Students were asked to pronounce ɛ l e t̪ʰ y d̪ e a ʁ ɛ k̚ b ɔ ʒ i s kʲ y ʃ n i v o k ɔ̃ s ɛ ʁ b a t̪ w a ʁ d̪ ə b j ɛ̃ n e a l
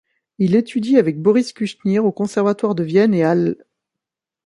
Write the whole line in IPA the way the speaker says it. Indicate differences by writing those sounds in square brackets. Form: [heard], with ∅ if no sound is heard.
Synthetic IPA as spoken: [i] l e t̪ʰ y d̪ [i] a [v] ɛ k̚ b ɔ [ʁ] i s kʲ y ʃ n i [ʁ] o k ɔ̃ s ɛ ʁ [v] a t̪ w a ʁ d̪ ə [v] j [ɛ] n e a l